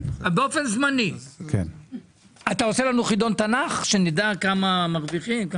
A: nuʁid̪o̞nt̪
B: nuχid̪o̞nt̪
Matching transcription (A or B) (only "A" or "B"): B